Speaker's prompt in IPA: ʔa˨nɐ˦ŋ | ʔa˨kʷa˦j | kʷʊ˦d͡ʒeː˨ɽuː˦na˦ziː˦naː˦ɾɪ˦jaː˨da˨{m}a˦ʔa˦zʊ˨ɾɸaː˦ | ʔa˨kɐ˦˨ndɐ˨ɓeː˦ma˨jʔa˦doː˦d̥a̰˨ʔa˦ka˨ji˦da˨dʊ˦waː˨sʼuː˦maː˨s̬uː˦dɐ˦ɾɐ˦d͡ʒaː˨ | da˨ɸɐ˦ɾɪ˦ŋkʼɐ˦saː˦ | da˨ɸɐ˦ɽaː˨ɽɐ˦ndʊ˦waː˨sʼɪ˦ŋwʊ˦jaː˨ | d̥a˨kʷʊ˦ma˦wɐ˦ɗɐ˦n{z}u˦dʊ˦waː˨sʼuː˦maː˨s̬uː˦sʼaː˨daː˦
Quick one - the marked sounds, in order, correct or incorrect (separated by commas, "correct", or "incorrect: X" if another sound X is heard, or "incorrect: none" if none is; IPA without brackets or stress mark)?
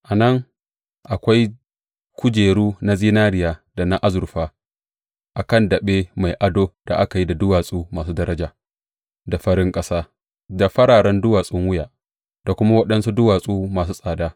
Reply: incorrect: n, incorrect: s